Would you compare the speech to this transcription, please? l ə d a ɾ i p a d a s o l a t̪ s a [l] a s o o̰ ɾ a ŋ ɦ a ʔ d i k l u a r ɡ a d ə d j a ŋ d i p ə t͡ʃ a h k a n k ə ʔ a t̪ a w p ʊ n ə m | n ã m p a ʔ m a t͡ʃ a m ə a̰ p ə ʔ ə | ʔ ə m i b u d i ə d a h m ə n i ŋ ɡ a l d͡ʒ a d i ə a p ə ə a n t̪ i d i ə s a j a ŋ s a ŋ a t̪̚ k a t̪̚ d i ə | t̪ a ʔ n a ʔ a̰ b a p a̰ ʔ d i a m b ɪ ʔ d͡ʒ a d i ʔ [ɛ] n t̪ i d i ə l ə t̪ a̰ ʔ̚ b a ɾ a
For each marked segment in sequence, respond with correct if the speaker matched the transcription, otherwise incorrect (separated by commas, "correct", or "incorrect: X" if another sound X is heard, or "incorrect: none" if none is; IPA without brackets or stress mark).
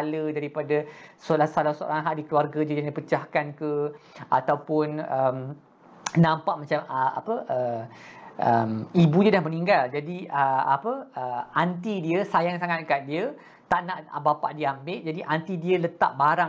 correct, incorrect: a